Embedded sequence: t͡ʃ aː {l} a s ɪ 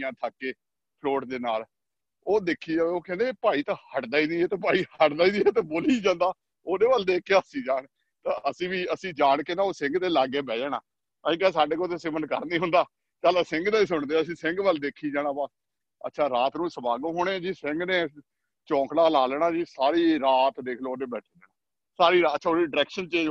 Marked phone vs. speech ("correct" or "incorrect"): correct